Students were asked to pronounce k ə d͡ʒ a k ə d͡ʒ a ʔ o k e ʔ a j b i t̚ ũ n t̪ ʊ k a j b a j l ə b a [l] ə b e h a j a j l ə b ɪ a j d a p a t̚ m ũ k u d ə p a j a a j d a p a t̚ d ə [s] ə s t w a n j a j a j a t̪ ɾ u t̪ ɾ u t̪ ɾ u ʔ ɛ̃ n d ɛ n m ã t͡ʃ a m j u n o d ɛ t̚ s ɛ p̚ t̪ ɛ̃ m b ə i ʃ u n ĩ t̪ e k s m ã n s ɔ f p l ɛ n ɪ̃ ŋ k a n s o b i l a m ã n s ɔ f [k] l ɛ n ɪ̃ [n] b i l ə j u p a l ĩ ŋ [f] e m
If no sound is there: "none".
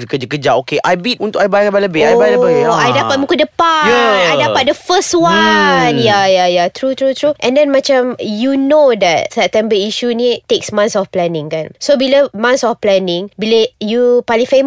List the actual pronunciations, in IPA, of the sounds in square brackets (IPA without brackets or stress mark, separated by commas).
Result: l, f, p, ŋ, f